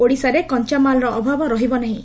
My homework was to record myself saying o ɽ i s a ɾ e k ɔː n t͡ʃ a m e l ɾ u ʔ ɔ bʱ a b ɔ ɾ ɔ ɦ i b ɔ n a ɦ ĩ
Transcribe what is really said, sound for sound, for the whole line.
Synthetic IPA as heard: o ɽ i s a ɾ e k ɔ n t͡ʃ a m a l ɾ ɔ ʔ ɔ bʱ a b ɔ ɾ ɔ ɦ i b ɔ n a ɦ ĩ